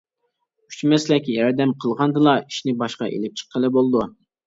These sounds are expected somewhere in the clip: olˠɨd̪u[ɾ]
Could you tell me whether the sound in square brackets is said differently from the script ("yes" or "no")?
yes